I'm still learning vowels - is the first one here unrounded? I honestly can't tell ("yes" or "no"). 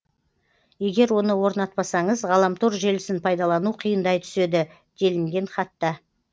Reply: yes